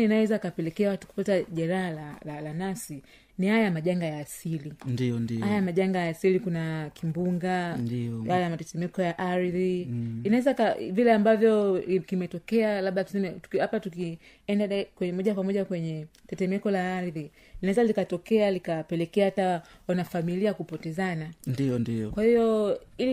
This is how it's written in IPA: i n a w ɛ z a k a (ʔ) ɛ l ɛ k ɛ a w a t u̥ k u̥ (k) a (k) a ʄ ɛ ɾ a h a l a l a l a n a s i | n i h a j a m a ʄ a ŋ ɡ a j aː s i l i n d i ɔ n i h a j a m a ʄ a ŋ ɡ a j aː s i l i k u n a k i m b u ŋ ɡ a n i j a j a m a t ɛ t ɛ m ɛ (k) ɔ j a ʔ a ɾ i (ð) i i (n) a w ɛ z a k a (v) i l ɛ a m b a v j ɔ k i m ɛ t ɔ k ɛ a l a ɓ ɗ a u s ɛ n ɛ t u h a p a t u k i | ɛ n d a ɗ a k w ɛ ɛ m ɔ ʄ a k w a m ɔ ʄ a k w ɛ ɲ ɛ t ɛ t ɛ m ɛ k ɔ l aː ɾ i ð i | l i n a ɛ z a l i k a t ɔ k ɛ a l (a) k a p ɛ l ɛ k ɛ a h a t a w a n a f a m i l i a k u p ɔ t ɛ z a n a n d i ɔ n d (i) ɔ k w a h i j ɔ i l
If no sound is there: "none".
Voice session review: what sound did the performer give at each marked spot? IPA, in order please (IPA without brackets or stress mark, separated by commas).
p, p, t, k, ð, n, v, i, i